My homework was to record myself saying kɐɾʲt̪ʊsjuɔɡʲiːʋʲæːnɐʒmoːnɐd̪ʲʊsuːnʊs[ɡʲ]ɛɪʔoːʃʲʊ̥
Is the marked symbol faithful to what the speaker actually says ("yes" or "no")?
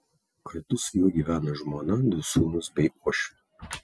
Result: no